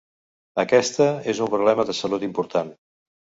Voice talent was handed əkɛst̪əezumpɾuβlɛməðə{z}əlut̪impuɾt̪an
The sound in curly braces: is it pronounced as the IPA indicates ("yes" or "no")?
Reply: no